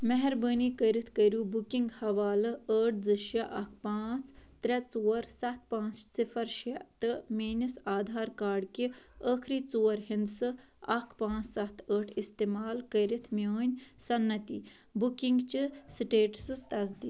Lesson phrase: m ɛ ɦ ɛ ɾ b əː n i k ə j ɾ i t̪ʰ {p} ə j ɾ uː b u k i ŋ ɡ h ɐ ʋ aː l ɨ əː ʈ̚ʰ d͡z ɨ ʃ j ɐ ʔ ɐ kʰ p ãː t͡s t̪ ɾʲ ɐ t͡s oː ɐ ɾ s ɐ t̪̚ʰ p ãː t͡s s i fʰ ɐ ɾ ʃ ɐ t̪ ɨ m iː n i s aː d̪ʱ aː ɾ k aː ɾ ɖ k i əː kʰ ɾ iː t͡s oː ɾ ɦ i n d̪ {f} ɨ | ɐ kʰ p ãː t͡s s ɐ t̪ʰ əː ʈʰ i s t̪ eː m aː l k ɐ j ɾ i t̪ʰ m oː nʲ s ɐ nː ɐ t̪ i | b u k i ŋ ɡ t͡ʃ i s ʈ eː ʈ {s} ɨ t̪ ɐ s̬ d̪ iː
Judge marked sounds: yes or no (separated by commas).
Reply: no, no, yes